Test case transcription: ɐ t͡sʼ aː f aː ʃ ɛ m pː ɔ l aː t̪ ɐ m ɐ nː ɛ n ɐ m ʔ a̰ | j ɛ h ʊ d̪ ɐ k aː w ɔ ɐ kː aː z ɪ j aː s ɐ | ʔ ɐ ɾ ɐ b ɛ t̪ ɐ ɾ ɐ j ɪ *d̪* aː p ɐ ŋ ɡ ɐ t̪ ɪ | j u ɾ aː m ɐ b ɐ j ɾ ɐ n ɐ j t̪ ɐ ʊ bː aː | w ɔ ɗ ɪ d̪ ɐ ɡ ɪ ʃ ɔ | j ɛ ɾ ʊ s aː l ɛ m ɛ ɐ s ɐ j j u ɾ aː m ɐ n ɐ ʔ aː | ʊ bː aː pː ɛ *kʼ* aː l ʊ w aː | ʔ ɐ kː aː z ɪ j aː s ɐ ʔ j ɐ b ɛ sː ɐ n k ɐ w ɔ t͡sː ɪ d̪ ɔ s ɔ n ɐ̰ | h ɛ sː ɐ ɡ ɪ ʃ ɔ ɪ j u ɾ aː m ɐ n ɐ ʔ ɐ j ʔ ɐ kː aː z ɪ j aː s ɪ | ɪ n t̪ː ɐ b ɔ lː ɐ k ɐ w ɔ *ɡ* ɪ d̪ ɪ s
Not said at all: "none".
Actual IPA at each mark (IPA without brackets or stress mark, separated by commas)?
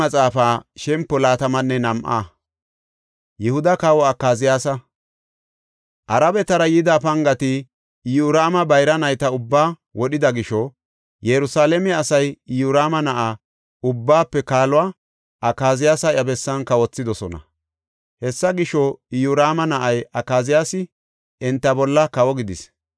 d̪, k, ɡ